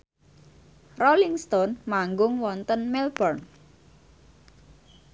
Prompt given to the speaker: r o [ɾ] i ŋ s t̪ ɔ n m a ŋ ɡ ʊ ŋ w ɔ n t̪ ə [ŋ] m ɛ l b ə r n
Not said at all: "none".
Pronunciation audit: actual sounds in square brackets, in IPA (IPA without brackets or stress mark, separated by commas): l, n